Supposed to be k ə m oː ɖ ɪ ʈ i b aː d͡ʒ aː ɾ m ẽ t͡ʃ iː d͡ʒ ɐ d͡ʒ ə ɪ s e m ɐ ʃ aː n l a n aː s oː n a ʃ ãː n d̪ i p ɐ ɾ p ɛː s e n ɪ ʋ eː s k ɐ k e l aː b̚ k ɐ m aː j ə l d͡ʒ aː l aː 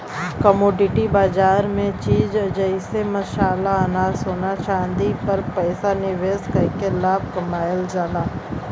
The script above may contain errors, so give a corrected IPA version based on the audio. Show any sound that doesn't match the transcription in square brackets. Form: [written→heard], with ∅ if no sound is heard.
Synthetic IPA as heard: k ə m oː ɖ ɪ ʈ i b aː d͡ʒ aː ɾ m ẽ t͡ʃ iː d͡ʒ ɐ d͡ʒ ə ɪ s e m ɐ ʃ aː [n→∅] l a n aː s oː n a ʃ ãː n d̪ i p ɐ ɾ p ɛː s [e→a] n ɪ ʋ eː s k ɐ k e l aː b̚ k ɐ m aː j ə l d͡ʒ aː l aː